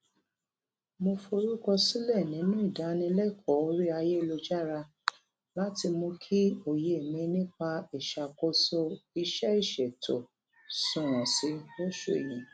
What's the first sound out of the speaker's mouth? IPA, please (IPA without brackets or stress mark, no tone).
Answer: m